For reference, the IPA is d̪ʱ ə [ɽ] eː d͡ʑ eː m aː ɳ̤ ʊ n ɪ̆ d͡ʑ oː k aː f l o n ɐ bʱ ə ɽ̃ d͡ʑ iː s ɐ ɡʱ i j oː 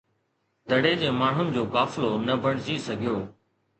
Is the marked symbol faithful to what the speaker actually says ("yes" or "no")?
yes